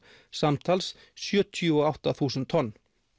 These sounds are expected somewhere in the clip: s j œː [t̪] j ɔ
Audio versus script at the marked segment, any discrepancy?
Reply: yes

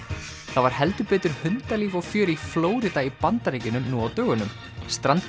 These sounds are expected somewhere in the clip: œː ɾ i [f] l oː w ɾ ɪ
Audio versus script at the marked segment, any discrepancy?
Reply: no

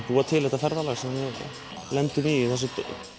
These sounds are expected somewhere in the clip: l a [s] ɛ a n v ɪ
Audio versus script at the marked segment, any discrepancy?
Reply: no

